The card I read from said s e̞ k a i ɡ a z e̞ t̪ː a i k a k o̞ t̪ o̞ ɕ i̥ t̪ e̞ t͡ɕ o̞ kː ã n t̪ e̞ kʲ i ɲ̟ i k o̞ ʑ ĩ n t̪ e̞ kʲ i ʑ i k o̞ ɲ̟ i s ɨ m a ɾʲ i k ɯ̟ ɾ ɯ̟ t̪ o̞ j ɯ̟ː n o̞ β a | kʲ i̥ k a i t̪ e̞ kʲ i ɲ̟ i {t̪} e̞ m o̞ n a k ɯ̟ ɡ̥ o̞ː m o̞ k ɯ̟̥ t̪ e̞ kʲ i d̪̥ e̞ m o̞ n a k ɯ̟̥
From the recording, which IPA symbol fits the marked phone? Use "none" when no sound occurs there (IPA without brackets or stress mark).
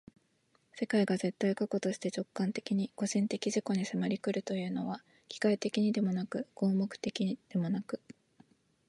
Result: d̪